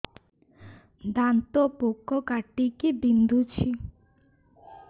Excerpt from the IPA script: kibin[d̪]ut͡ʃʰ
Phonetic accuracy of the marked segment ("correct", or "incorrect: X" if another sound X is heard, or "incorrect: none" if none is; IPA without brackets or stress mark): correct